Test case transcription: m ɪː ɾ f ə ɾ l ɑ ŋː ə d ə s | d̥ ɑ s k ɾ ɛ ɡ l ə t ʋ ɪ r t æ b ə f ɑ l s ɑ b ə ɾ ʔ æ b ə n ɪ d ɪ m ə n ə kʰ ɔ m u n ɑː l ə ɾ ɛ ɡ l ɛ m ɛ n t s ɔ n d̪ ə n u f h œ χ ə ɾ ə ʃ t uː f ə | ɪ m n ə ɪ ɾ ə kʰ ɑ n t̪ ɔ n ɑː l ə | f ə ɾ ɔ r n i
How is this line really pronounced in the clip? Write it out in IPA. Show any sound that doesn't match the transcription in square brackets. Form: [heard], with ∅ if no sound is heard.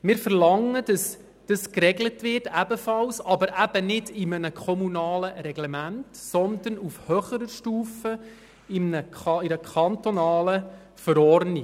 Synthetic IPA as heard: m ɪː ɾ f ə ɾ l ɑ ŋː ə d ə s | d̥ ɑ s k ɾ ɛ ɡ l ə t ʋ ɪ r t æ b ə f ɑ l s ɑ b ə ɾ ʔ æ b ə n ɪ d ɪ m ə n ə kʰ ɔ m u n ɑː l ə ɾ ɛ ɡ l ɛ m [æ] n t s ɔ n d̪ ə n u f h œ χ ə ɾ ə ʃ t uː f ə | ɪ m n ə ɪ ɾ ə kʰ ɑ n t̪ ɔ n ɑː l ə | f ə ɾ ɔ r n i